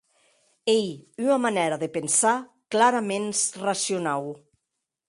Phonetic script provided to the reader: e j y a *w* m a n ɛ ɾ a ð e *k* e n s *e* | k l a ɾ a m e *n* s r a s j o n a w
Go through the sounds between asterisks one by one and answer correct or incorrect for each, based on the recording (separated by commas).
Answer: incorrect, incorrect, incorrect, correct